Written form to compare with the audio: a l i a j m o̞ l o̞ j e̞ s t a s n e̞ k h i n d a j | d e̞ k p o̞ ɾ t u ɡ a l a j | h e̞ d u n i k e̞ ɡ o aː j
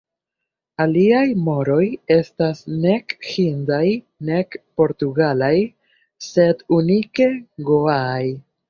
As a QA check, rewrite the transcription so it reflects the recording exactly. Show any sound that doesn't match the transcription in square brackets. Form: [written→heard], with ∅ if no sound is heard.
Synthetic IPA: a l i a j m o̞ [l→ɾ] o̞ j e̞ s t a s n e̞ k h i n d a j | [d→n] e̞ k p o̞ ɾ t u ɡ a l a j | [h→s] e̞ d u n i k e̞ ɡ o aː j